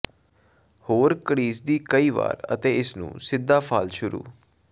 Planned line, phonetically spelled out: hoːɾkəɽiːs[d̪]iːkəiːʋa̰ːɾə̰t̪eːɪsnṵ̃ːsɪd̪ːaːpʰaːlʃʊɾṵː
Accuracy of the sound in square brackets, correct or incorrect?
correct